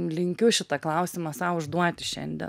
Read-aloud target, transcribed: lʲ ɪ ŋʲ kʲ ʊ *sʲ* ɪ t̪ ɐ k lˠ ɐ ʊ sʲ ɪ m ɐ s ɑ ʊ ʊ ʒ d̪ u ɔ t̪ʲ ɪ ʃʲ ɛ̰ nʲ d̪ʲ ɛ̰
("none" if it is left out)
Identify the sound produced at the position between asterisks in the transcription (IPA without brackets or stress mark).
ʃʲ